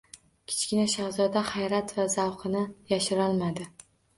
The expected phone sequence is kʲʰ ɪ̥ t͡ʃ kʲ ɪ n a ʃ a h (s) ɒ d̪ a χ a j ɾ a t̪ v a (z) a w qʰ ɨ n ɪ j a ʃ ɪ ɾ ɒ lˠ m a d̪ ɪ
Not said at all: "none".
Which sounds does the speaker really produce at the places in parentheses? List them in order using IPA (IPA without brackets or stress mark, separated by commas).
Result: z, z